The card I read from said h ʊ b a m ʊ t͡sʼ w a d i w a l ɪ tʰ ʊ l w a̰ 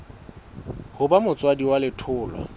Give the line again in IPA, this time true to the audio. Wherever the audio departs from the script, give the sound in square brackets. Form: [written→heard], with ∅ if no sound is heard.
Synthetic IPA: h ʊ b a m ʊ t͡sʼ w a d i w a l ɪ tʰ [ʊ→ʊː] l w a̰